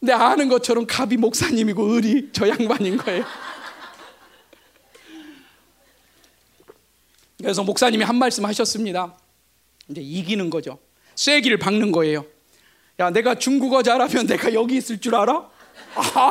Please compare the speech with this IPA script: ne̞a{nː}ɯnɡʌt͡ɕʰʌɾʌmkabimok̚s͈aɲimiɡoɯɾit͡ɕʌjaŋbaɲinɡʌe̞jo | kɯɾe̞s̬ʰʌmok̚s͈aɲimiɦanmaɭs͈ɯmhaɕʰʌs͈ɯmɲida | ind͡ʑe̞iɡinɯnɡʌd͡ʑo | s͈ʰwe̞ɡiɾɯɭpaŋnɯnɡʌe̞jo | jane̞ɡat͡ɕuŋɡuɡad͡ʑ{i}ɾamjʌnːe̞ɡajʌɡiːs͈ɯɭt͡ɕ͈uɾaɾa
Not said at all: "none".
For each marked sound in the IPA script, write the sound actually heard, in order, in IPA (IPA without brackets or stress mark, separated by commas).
n, a